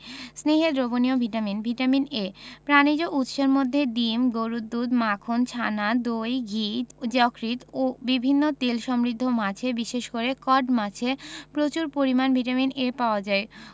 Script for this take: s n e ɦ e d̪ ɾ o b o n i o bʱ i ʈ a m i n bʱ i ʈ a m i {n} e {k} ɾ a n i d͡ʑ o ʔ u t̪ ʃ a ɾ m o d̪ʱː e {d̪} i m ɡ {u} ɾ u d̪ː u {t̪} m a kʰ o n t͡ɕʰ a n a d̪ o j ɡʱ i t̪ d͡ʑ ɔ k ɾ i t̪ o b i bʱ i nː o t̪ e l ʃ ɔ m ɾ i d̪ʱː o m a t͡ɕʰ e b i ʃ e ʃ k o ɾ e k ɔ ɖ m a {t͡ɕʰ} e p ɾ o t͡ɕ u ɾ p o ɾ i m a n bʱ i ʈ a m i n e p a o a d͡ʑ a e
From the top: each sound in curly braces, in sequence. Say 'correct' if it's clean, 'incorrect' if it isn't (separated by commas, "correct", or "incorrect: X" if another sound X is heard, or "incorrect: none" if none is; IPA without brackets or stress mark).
correct, incorrect: p, correct, incorrect: o, incorrect: d̪, correct